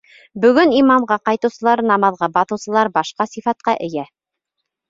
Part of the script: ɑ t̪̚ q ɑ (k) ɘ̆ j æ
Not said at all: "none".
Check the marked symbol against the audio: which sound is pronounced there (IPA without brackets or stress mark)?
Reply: ʔ